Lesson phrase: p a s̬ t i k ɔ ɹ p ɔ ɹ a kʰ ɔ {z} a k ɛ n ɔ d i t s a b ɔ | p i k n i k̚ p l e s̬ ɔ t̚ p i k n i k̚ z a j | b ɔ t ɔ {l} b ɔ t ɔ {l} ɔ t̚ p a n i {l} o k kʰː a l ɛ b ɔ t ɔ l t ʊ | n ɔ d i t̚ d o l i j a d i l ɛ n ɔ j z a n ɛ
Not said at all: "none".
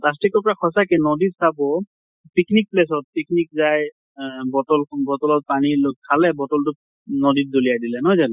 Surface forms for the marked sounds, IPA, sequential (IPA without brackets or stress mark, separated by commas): s, l, l, l